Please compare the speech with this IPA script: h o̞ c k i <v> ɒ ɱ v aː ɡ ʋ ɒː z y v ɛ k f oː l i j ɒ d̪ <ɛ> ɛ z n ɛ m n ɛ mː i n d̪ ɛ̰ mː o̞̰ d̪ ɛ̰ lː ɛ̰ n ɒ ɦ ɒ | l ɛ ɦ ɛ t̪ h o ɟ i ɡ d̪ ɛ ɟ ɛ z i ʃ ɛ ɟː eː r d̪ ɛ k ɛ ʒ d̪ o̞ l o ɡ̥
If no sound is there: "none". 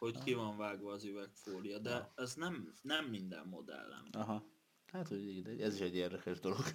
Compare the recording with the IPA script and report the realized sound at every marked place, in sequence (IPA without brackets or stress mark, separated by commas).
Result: v, ɛ